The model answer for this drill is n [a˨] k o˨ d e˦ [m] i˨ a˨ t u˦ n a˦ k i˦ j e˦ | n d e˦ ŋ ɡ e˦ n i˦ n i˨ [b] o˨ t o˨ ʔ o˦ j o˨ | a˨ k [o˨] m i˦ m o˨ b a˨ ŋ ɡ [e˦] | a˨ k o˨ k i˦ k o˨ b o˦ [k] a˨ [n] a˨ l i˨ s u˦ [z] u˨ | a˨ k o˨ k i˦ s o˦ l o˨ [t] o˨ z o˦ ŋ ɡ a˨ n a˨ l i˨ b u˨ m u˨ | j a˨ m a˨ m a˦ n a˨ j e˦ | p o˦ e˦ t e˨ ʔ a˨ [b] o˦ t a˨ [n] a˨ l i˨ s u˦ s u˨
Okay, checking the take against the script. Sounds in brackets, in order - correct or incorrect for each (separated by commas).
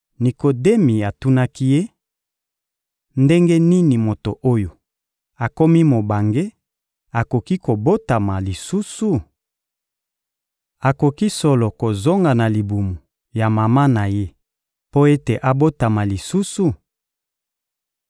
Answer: incorrect, correct, incorrect, incorrect, correct, incorrect, incorrect, incorrect, incorrect, correct, incorrect